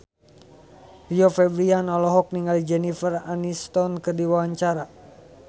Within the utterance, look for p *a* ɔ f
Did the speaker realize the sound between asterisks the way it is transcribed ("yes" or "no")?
no